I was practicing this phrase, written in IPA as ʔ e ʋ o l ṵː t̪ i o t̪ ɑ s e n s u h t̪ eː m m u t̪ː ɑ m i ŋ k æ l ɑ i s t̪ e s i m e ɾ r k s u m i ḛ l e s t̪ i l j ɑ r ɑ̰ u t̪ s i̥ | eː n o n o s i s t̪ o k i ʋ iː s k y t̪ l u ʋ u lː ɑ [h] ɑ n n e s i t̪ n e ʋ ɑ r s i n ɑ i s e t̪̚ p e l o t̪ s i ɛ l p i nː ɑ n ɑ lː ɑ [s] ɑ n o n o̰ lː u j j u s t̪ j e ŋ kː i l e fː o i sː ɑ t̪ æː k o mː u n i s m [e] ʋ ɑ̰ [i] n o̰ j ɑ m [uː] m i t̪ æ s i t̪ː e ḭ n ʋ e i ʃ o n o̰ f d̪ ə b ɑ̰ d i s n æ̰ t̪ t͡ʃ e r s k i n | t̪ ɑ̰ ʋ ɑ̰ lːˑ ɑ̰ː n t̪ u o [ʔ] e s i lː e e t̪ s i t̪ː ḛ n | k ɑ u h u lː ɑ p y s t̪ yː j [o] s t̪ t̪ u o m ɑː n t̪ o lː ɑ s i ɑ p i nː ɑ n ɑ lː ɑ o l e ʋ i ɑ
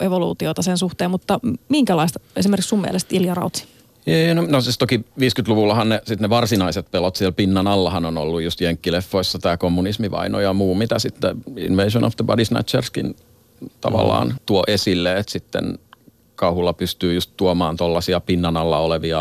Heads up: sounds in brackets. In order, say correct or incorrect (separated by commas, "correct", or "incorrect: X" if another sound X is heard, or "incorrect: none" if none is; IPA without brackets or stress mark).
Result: correct, incorrect: h, incorrect: i, correct, correct, correct, incorrect: u